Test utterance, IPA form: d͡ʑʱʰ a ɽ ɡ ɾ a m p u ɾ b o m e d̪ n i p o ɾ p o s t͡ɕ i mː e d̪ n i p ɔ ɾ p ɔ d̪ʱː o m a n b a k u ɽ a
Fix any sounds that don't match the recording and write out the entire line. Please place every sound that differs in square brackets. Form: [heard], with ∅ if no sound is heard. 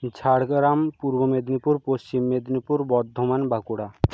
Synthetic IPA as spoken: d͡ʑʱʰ a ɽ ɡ ɾ a m p u ɾ b o m e d̪ n i p [u] ɾ p o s t͡ɕ i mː e d̪ n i p [u] ɾ [b] ɔ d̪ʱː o m a n b a k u ɽ a

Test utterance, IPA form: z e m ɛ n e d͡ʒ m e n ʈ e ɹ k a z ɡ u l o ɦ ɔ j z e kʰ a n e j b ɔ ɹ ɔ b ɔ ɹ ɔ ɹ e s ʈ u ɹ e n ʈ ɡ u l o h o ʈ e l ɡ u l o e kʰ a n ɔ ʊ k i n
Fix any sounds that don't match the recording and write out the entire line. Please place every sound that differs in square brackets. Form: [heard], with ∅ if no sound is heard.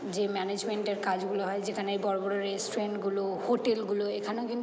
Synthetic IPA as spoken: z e m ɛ n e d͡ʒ m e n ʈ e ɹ k a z ɡ u l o ɦ ɔ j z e kʰ a n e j b ɔ ɹ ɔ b ɔ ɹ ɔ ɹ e s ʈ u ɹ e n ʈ ɡ u l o h o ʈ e l ɡ u l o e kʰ a n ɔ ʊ k i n

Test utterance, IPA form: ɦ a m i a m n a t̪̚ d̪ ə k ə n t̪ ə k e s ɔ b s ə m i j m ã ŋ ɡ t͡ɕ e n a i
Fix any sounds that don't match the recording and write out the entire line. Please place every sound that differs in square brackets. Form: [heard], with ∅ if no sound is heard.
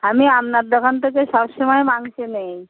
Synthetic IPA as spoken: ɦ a m i a m n a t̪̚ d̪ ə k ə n t̪ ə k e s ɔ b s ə m [a] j m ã ŋ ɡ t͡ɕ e n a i

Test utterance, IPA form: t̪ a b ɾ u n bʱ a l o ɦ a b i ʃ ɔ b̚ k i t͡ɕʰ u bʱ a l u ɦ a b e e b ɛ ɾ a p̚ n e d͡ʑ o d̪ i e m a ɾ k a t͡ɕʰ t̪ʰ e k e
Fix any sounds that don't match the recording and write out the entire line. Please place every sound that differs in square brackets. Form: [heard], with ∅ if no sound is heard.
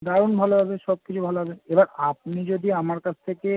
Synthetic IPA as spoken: [d̪] a [∅] ɾ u n bʱ a l o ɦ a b [e] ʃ ɔ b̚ k i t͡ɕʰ u bʱ a l [o] ɦ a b e e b [a] ɾ a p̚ n [i] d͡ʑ o d̪ i [a] m a ɾ k a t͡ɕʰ t̪ʰ e k e

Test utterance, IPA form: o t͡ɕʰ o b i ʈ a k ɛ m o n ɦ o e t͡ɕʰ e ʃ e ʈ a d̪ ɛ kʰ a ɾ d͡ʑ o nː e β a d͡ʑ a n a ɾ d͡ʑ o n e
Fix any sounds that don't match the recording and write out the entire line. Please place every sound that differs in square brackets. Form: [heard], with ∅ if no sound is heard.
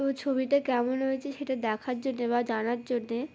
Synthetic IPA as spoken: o t͡ɕʰ o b i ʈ a k ɛ m o n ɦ o e t͡ɕʰ e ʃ e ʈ a d̪ ɛ kʰ a ɾ d͡ʑ o nː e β a d͡ʑ a n a ɾ d͡ʑ o [nː] e

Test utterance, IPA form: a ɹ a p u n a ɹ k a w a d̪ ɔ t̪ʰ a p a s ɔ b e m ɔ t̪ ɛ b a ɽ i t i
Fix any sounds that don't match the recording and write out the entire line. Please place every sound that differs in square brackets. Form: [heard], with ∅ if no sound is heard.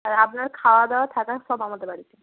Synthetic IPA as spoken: a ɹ a p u n a ɹ [kʰ] a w a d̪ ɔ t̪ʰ a [k] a s ɔ b [a] m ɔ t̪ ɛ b a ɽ i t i

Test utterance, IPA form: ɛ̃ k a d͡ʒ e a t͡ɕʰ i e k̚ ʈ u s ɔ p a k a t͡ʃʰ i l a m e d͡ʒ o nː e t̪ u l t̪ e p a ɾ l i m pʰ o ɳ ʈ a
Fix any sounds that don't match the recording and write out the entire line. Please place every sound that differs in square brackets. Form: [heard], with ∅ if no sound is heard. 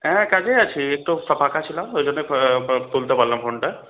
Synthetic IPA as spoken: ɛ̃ k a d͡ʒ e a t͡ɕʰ i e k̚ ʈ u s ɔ p a k a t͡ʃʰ i l a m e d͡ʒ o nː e t̪ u l t̪ e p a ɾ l [a] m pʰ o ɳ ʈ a

